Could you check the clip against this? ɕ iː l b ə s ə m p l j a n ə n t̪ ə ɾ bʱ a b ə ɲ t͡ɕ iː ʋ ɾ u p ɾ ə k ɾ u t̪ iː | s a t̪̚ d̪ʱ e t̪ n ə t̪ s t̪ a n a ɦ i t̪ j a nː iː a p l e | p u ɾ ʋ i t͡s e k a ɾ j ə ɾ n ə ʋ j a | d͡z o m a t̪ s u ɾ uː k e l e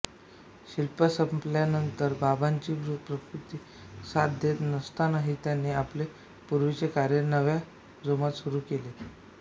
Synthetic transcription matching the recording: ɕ i l p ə s ə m p l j a n ə n t̪ ə ɾ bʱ a b a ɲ t͡ɕ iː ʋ ɾ u p ɾ ə k ɾ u t̪ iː | s a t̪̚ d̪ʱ e t̪ n ə s t̪ a n a ɦ i t̪ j a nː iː a p l e | p u ɾ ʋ i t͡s e k a ɾ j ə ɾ n ə ʋ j a | d͡z o m a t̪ s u ɾ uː k e l e